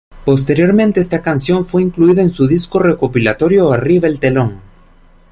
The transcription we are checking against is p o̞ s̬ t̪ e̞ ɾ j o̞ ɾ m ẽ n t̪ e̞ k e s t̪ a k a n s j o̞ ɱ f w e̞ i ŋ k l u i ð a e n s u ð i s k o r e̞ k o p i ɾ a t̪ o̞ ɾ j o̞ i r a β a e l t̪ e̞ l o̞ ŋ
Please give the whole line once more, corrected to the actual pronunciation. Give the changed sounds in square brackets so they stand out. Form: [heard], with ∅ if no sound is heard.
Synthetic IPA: p o̞ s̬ t̪ e̞ ɾ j o̞ ɾ m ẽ n t̪ e̞ [∅] e s t̪ a k a n s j o̞ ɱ f w e̞ i ŋ k l u i ð a e n s u ð i s k o r e̞ k o p i [l] a t̪ o̞ ɾ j o̞ [a] r [i] β a e l t̪ e̞ l o̞ ŋ